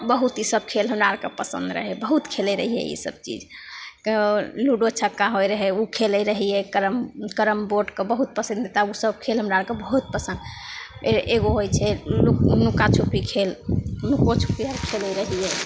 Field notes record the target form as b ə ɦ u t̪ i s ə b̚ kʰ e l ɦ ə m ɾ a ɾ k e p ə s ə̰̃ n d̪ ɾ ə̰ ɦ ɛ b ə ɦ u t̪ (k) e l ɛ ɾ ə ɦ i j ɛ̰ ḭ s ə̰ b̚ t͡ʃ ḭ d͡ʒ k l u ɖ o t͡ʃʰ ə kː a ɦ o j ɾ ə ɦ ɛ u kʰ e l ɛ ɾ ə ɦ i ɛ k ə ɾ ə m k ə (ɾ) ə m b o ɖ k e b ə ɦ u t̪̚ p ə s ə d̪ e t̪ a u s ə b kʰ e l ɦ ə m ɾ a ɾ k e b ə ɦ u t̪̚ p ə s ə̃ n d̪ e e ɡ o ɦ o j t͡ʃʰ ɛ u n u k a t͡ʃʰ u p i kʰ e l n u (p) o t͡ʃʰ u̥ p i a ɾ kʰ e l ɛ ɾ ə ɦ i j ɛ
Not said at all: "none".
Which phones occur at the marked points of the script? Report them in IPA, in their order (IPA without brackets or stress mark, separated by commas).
kʰ, ɾ, k